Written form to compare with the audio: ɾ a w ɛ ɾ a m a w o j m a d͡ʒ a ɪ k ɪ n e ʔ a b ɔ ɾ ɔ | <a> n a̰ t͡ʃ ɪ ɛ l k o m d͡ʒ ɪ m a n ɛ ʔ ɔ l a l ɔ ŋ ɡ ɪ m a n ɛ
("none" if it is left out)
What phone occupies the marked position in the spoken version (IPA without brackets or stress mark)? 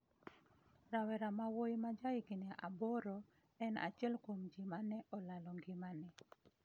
ɛ